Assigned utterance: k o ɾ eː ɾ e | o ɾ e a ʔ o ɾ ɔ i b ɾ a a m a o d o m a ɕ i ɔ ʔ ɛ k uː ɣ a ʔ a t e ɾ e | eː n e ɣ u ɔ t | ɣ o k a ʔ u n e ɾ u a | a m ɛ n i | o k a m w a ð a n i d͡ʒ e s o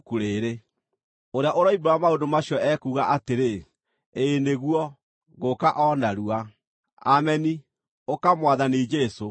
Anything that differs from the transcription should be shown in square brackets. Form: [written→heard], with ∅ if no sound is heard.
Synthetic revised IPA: k [o→u] ɾ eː ɾ e | o ɾ e a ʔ o ɾ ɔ i b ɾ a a m a o d o m a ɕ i ɔ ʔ ɛ k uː ɣ a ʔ a t e ɾ e | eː n e ɣ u ɔ [t→∅] | ɣ o k a ʔ [u→ɔ] n [e→a] ɾ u a | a m ɛ n i | o k a m w a ð a n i d͡ʒ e s o